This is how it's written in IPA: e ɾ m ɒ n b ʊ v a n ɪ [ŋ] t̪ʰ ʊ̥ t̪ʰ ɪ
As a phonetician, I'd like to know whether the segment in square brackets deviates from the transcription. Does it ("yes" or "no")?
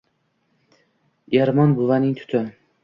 no